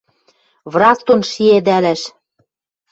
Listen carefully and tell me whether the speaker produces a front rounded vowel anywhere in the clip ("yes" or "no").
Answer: no